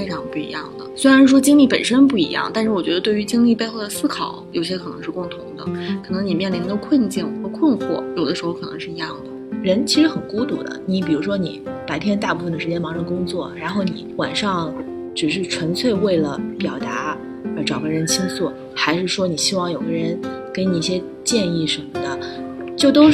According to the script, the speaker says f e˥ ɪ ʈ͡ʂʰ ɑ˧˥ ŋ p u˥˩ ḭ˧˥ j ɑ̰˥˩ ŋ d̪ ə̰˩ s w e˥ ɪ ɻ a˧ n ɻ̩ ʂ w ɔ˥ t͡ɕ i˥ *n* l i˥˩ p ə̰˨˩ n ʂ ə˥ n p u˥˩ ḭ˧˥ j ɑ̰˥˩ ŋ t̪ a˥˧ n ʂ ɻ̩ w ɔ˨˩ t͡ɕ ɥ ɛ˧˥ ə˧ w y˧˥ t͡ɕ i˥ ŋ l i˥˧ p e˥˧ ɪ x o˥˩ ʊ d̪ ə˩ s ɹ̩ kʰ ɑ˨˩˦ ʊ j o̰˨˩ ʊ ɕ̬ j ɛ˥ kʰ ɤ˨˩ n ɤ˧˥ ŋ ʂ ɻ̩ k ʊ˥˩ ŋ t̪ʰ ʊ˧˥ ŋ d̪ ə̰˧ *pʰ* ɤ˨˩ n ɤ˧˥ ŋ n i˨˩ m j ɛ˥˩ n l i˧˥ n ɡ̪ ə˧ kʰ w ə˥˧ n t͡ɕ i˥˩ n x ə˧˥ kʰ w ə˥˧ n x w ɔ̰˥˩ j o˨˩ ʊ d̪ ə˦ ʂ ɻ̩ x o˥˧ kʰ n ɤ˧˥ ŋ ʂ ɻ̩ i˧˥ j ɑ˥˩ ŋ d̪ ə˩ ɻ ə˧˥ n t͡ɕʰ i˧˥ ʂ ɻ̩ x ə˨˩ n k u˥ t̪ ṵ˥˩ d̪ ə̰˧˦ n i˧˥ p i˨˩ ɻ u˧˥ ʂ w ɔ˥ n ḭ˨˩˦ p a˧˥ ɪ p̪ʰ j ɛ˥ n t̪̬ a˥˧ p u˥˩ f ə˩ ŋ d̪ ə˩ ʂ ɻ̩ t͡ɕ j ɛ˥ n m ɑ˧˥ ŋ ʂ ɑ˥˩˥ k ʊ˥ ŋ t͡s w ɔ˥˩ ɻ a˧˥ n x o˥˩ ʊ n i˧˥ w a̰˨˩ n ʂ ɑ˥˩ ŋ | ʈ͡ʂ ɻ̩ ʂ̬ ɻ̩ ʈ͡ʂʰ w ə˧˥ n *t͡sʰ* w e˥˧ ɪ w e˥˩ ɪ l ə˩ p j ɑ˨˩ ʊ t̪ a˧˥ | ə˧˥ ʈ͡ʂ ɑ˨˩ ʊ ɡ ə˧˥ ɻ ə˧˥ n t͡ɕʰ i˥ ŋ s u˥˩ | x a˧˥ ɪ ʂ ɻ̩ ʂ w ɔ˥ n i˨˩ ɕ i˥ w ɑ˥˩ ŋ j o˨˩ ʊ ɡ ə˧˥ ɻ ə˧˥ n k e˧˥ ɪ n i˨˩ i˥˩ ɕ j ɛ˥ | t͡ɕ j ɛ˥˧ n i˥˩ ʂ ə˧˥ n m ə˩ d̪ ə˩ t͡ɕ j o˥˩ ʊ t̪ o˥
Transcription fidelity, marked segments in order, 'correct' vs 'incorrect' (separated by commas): incorrect, incorrect, correct